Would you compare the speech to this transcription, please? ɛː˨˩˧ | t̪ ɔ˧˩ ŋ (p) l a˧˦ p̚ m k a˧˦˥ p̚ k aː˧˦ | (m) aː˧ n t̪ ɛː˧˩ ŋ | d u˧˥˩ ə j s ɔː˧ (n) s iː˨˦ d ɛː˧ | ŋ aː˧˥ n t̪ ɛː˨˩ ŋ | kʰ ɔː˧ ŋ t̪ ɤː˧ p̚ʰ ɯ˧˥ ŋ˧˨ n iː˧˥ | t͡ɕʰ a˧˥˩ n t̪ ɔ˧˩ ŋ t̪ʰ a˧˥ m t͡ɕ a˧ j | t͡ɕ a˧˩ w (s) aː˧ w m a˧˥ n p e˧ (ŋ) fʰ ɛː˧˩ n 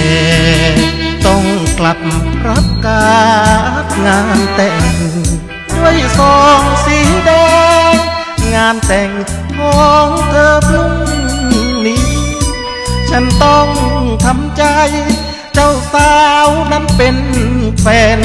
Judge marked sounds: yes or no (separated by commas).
no, no, no, yes, no